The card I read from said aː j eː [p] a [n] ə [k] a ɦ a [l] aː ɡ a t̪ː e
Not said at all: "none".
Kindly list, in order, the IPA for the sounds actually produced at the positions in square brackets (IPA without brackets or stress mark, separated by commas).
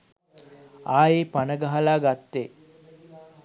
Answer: p, n, ɡ, l